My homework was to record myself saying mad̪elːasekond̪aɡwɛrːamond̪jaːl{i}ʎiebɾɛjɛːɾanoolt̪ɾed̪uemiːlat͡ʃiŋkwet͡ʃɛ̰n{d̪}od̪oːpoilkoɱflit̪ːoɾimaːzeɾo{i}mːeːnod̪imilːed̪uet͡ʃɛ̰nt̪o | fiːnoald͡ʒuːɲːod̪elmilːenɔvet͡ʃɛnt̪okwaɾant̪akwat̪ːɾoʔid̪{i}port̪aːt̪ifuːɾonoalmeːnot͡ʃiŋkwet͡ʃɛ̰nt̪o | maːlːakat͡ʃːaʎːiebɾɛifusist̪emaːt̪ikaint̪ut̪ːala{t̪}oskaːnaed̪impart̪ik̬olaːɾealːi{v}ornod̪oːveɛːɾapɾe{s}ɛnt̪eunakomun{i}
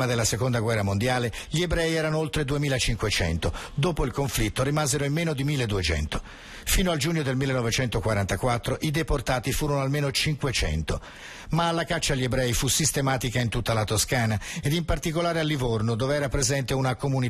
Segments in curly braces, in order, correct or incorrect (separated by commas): incorrect, incorrect, correct, incorrect, correct, correct, incorrect, correct